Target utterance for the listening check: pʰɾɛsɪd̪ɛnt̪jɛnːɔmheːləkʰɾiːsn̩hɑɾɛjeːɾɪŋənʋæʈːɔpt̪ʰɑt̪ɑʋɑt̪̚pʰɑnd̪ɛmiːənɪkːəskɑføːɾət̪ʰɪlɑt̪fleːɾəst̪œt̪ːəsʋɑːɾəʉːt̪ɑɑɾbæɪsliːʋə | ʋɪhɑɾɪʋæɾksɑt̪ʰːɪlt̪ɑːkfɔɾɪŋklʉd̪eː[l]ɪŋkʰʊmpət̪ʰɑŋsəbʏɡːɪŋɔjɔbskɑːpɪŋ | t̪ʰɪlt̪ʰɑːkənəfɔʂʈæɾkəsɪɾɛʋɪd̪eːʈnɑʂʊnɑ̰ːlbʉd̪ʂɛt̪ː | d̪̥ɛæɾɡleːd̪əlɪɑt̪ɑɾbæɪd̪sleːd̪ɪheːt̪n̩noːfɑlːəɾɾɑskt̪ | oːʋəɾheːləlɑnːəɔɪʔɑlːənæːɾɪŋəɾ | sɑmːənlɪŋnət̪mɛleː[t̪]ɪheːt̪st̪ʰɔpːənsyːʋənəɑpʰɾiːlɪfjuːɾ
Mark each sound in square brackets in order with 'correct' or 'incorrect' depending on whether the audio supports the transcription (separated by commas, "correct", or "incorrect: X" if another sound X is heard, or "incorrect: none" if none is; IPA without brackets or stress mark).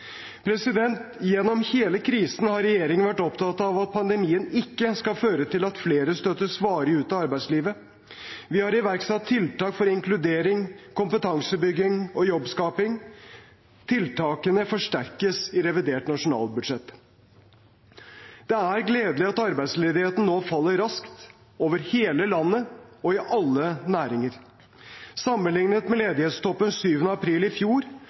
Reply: incorrect: ɾ, incorrect: d̪